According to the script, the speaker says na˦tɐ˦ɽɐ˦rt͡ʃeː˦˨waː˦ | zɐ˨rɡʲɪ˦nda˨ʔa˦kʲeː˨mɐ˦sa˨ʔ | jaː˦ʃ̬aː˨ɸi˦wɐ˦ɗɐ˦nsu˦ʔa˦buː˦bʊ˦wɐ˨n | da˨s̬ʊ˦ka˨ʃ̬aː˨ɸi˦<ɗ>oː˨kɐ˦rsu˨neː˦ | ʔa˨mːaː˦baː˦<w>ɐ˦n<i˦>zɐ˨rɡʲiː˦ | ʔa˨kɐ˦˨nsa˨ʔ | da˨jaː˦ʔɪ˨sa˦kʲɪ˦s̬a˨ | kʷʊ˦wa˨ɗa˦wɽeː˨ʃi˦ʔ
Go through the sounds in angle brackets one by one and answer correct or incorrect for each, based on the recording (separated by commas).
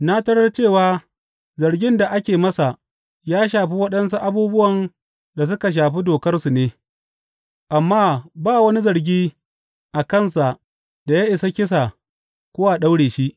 incorrect, correct, correct